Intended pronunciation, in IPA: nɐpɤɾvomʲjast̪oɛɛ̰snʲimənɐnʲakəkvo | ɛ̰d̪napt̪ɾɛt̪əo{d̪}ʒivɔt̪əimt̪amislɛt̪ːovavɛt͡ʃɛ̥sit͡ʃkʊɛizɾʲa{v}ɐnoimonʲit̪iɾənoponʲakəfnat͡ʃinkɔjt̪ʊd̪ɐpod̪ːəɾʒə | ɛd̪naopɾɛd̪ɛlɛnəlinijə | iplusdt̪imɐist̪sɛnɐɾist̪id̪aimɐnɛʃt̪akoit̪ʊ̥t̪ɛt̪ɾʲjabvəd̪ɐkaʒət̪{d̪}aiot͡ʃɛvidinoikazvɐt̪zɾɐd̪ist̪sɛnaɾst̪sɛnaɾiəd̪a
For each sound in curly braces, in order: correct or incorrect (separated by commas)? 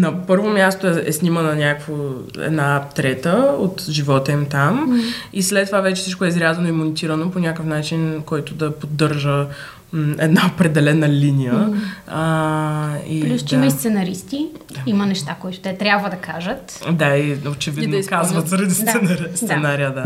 incorrect, incorrect, correct